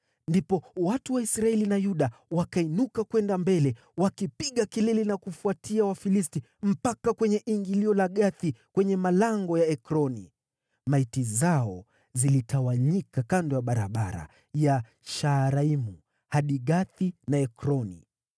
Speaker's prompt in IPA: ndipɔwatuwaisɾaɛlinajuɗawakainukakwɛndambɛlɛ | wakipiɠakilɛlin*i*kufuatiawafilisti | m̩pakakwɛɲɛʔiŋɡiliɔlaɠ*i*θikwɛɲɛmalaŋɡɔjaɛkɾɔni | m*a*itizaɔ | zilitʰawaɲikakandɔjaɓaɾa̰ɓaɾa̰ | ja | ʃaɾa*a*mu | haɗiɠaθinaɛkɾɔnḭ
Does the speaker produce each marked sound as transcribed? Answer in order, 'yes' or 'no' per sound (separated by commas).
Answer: no, no, yes, no